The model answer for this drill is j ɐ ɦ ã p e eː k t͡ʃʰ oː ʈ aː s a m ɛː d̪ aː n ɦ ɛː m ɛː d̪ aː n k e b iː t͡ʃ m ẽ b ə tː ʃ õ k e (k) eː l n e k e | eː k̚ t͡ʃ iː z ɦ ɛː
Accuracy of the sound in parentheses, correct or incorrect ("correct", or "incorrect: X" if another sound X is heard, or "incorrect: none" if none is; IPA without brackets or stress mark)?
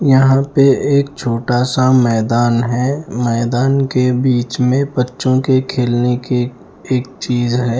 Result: incorrect: kʰ